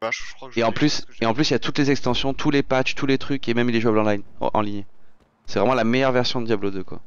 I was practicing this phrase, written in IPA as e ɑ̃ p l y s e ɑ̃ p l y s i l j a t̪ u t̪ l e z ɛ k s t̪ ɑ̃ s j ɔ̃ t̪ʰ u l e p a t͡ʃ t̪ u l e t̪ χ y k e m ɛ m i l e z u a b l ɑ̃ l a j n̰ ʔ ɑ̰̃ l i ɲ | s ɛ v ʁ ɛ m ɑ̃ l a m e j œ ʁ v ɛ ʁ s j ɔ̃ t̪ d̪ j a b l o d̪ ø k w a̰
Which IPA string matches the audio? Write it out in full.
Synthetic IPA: e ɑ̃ p l y s e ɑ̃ p l y s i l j a t̪ u t̪ l e z ɛ k s t̪ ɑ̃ s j ɔ̃ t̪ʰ u l e p a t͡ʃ t̪ u l e t̪ χ y k e m ɛ m i l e ʒ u a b l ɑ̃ l a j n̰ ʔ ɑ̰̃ l i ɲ | s ɛ v ʁ ɛ m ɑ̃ l a m e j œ ʁ v ɛ ʁ s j ɔ̃ d̪ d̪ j a b l o d̪ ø k w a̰